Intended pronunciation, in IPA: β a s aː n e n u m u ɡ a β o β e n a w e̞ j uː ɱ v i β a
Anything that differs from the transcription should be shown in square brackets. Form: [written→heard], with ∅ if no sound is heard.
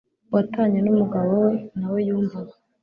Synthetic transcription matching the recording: [β→w] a [s→t] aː [n→ɲ] e n u m u ɡ a β o [β→w] e n a w e̞ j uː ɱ v [i→a] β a